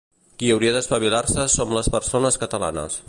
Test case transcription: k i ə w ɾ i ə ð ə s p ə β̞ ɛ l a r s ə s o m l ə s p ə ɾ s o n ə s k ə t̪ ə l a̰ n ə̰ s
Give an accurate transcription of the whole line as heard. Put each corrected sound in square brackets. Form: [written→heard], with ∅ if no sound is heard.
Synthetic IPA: k i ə w ɾ i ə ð ə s p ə β̞ [ɛ→i] l a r s ə s o m l ə s p ə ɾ s o n ə s k ə t̪ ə l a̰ n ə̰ s